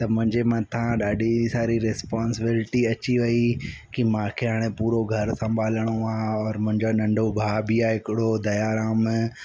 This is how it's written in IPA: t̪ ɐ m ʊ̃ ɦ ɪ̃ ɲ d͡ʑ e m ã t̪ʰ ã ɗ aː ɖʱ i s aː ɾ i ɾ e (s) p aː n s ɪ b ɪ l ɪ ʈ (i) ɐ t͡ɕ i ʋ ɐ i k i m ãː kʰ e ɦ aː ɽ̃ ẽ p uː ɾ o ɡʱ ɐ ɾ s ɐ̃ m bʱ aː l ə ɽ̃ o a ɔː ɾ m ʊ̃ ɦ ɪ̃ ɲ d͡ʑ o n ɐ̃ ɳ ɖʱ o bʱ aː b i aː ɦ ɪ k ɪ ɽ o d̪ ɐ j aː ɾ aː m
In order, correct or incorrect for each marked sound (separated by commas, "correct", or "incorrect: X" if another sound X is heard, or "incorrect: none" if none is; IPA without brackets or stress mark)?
correct, correct